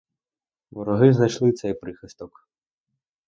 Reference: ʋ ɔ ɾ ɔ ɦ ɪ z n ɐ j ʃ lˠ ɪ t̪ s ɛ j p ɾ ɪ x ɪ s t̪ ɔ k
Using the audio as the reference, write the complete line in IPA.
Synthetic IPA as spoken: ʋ ɔ ɾ ɔ ɦ ɪ z n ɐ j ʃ lˠ ɪ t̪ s ɛ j p ɾ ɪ x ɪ s t̪ ɔ k